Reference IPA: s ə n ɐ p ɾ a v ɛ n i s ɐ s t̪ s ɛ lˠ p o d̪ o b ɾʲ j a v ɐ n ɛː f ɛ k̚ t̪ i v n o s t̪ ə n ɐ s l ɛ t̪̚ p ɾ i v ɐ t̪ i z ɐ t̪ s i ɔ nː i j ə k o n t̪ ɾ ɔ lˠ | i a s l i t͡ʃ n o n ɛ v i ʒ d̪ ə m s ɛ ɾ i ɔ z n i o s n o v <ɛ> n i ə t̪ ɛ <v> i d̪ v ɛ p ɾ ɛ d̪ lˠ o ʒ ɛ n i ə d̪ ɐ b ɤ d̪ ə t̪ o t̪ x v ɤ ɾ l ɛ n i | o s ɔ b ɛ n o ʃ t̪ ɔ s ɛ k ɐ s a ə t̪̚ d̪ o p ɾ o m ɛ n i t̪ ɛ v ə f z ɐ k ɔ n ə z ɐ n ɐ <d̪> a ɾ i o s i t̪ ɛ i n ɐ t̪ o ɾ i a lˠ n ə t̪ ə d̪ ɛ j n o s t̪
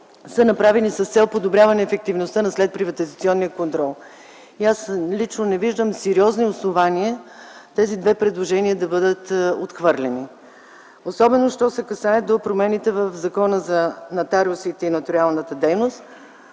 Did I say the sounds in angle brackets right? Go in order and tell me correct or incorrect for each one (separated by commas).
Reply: incorrect, incorrect, incorrect